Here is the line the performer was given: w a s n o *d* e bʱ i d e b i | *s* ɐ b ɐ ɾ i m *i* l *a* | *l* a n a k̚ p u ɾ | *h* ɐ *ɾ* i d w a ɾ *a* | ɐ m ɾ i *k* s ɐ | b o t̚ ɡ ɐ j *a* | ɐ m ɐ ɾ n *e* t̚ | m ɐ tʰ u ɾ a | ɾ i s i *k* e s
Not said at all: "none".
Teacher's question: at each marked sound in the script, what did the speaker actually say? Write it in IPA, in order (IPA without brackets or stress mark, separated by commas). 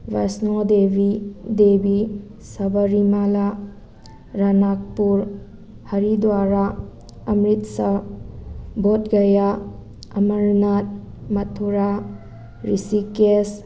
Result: d, s, a, a, ɾ, h, ɾ, a, t, a, a, k